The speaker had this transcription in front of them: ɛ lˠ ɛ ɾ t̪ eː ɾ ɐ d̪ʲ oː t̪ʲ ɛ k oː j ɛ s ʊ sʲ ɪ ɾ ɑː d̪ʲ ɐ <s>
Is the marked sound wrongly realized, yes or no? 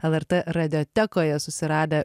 yes